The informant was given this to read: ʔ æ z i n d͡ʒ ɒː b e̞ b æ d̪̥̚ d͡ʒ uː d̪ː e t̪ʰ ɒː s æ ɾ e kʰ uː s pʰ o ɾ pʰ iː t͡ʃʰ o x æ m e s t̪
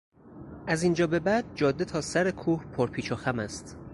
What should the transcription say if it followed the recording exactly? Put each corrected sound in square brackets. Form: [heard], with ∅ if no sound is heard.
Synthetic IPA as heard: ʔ æ z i n d͡ʒ ɒː b e̞ b æ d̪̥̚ d͡ʒ [ɒː] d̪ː e t̪ʰ ɒː s æ ɾ e kʰ uː [h] pʰ o ɾ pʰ iː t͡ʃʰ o x æ m [æ] s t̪